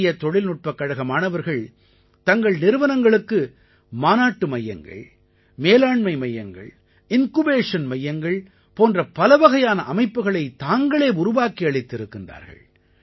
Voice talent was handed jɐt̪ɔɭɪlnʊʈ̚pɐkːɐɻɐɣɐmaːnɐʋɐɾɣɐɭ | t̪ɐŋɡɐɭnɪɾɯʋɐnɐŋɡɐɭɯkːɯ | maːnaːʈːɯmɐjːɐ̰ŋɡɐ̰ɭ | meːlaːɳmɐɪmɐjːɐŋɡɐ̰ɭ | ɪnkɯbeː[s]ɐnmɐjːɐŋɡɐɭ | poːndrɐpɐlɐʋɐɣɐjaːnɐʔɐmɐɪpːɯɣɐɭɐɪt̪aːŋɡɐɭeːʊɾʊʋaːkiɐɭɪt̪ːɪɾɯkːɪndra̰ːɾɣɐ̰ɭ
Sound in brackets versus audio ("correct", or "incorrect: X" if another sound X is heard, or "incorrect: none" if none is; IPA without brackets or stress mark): incorrect: ʂ